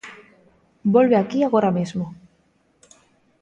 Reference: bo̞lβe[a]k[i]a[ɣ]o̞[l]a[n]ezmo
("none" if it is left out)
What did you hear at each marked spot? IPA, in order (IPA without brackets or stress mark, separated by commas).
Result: a, i, ɣ, ɾ, m